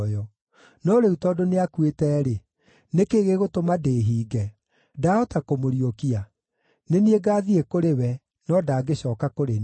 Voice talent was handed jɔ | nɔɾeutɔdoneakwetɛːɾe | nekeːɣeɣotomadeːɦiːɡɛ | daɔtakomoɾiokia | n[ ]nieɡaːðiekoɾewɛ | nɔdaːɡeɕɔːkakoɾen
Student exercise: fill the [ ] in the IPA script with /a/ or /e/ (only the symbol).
e